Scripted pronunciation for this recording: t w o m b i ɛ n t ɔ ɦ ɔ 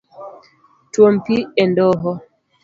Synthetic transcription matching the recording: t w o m p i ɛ n d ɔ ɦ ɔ